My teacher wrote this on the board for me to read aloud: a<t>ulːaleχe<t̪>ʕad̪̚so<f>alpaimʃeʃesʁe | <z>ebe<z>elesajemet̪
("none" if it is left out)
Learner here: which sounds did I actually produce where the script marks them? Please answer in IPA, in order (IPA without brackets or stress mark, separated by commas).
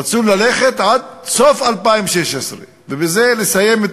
t͡s, t̪, f, v, z